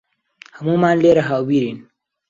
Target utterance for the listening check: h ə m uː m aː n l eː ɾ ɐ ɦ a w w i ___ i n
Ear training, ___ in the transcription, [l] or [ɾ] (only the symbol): ɾ